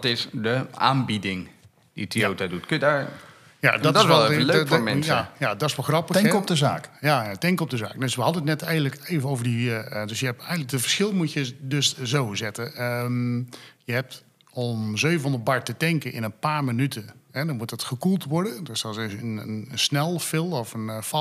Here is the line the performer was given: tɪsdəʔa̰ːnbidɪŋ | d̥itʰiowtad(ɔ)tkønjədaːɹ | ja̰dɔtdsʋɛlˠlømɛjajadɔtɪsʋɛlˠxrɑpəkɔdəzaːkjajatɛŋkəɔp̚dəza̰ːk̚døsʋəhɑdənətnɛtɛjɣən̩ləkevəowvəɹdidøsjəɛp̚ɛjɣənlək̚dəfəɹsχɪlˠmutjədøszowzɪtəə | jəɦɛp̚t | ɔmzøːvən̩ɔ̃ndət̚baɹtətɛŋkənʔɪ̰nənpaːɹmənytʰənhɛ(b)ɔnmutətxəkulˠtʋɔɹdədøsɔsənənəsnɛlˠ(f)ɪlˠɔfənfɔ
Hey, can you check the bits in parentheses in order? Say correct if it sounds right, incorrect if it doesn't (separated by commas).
incorrect, incorrect, correct